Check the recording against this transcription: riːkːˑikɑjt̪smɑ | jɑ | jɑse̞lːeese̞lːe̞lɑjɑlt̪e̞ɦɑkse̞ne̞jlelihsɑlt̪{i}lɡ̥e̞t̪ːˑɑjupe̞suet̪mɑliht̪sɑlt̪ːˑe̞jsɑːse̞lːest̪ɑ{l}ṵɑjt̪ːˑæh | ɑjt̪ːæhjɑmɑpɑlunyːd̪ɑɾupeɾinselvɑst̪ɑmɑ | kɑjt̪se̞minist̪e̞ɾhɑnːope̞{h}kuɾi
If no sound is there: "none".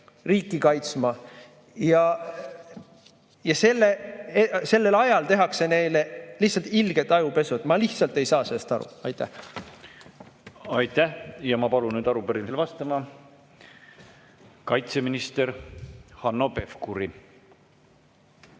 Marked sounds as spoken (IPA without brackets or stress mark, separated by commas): i, ɾ, f